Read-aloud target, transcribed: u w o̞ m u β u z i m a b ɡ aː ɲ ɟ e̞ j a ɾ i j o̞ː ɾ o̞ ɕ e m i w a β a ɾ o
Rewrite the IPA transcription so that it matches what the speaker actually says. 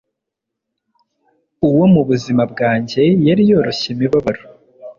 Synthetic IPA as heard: u w o̞ m u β u z i m a b ɡ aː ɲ ɟ e̞ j a ɾ i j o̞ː ɾ o̞ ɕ e m i β a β a ɾ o